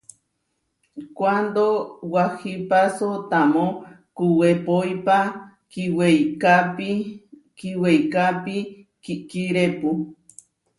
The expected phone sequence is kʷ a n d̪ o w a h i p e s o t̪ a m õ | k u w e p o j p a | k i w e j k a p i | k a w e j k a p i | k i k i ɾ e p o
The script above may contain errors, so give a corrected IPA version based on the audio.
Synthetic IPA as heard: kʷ a n d̪ o w a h i p a s o t̪ a m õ | k u w e p o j p a | k i w e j k a p i | k i w e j k a p i | k i k i ɾ e p u

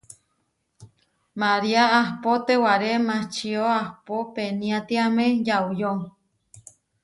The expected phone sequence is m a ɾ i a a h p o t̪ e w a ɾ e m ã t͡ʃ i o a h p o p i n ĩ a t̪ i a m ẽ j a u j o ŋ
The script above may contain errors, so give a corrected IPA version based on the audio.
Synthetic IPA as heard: m a ɾ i a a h p o t̪ e w a ɾ e m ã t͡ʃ i o a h p o p e n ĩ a t̪ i a m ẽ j a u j o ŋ

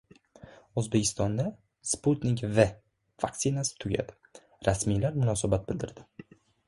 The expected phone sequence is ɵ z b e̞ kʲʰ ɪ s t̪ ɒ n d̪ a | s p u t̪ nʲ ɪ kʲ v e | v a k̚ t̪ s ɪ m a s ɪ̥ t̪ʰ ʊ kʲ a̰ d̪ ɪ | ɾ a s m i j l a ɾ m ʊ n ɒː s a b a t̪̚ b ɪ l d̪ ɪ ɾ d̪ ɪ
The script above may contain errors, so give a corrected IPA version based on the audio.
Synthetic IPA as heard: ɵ z b e̞ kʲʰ ɪ s t̪ ɒ n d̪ a | s p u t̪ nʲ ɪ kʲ v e | v a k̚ t̪ s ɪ n a s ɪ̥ t̪ʰ ʊ ɡʲ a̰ d̪ ɪ | ɾ a s m i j l a ɾ m ʊ n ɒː s a b a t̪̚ b ɪ l d̪ ɪ ɾ d̪ ɪ

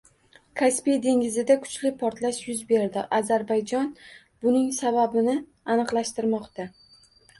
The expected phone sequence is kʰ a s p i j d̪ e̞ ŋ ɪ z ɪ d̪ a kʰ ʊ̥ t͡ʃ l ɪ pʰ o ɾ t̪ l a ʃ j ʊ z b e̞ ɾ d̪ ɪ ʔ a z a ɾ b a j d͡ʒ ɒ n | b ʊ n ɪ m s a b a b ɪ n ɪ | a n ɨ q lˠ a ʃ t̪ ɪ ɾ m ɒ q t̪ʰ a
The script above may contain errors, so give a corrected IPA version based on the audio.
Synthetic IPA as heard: kʰ a s p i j d̪ e̞ ŋ ɪ z ɪ d̪ a kʰ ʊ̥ t͡ʃ l ɪ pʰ ɒ ɾ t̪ l a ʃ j ʊ z b e̞ ɾ d̪ ɪ ʔ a z a ɾ b a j d͡ʒ ɒ n | b ʊ n ɪ ŋ s a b a b ɪ n ɪ | a n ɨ q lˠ a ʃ t̪ ɪ ɾ m ɒ q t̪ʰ a

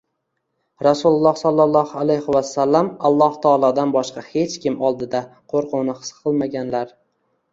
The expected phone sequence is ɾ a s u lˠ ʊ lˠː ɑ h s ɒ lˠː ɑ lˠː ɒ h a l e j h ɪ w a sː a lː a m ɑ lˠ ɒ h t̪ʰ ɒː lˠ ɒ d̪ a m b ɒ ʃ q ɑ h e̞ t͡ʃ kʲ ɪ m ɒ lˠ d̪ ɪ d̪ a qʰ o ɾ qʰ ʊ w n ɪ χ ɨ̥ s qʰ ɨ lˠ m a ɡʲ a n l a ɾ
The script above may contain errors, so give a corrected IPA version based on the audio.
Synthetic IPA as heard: ɾ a s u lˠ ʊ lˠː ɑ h s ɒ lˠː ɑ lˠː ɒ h a l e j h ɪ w a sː a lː a m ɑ lˠː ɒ h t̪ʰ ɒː lˠ ɒ d̪ a n b ɒ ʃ q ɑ h e̞ t͡ʃ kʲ ɪ m ɒ lˠ d̪ ɪ d̪ a qʰ o ɾ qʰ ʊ w n ɪ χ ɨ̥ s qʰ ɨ lˠ m a ɡʲ a n l a ɾ

